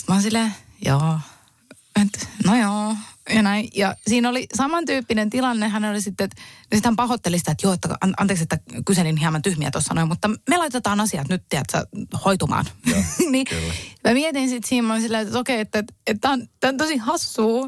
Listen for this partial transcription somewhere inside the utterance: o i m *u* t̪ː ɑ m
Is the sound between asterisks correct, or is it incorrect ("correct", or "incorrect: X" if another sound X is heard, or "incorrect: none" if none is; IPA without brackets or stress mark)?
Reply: correct